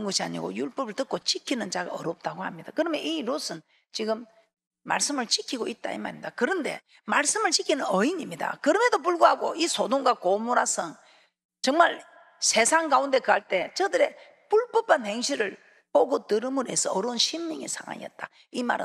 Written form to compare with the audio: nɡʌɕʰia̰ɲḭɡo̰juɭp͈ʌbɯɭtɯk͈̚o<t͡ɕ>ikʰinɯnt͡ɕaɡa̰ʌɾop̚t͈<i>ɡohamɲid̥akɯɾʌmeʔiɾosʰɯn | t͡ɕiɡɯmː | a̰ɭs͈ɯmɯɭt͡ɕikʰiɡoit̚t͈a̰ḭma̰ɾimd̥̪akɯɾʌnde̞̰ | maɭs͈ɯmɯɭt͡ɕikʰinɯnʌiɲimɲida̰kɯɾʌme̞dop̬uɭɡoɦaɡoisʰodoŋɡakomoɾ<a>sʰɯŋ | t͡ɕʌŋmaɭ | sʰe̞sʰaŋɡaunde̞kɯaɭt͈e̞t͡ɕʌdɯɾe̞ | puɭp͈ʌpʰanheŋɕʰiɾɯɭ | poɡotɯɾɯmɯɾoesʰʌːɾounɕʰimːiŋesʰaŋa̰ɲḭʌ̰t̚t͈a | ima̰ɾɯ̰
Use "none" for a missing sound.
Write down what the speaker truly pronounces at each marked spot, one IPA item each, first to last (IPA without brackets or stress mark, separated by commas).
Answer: t͡ɕ, a, a